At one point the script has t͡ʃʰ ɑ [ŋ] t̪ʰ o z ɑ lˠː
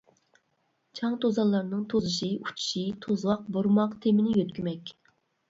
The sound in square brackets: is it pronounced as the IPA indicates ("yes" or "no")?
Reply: yes